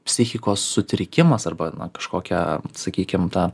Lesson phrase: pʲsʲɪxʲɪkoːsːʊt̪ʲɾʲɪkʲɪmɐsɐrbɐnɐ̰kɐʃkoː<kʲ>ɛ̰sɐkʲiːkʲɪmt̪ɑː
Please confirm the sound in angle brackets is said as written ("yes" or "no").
yes